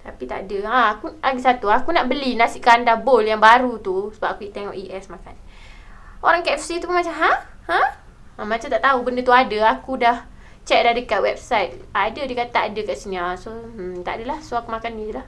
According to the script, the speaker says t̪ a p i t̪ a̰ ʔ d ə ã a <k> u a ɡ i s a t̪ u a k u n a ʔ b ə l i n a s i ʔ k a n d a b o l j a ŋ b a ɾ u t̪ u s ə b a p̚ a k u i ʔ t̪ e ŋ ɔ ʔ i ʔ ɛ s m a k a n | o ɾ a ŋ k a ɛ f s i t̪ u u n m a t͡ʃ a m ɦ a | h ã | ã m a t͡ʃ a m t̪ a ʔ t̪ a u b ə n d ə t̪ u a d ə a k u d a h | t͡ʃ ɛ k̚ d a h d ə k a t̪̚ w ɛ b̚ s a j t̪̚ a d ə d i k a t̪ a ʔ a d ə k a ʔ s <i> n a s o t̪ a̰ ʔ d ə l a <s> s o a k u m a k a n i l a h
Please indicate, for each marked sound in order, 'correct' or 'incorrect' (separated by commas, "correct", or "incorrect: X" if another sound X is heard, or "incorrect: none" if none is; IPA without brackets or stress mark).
correct, correct, incorrect: h